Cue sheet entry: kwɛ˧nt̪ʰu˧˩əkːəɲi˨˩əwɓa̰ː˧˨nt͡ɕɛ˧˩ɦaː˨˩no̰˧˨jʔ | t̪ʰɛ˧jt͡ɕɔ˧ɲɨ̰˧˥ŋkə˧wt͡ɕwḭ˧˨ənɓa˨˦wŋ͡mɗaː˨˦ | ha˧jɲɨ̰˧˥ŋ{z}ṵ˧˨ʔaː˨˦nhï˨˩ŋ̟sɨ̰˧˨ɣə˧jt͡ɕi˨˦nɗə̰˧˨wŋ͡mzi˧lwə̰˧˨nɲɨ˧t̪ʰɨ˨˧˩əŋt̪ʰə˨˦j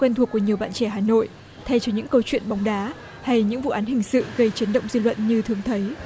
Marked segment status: incorrect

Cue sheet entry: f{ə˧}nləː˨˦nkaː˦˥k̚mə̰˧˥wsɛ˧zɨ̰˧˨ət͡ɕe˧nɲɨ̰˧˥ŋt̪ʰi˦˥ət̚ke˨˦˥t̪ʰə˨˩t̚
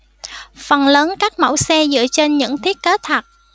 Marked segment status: incorrect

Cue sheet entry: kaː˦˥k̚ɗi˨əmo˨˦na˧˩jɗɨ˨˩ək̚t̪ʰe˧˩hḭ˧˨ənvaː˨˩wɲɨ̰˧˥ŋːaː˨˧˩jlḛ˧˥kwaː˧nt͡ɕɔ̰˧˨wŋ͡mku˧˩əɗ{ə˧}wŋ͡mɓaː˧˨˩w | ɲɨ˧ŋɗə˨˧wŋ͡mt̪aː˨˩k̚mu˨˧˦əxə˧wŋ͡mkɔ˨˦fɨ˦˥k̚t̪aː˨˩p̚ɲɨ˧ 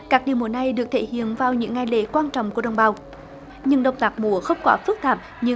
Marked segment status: correct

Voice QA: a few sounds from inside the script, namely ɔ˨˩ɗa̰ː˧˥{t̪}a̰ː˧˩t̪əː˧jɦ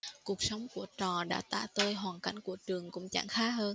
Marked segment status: correct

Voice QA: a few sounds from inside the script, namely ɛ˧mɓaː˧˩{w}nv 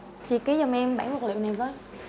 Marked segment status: incorrect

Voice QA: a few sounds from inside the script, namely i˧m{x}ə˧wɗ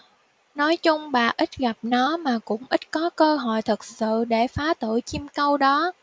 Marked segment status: incorrect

